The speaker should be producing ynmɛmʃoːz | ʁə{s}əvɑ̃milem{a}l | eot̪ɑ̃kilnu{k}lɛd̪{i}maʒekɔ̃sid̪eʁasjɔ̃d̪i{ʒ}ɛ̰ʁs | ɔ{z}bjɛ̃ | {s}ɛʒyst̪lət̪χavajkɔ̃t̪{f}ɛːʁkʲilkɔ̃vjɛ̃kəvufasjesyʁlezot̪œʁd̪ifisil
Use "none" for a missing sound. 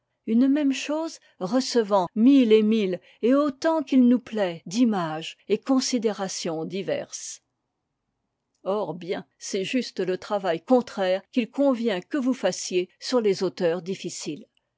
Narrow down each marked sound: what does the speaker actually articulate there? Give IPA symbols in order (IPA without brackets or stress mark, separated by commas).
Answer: s, i, p, i, v, ʁ, s, χ